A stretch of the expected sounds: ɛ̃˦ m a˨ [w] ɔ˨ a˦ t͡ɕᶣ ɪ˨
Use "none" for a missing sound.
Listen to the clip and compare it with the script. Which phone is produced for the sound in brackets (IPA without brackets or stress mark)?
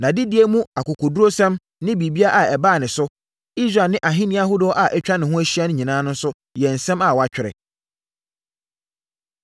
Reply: w